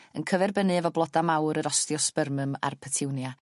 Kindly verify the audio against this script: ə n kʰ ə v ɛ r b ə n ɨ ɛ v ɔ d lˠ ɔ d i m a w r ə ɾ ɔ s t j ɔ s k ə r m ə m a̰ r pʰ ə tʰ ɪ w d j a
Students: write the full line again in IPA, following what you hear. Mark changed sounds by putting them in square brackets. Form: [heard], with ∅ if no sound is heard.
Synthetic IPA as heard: ə n kʰ ə v ɛ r b ə n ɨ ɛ v ɔ [b] lˠ ɔ d [a] m a w [ɾ] ə ɾ ɔ s t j ɔ s [p] ə r m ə m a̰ r pʰ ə tʰ ɪ w [n] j a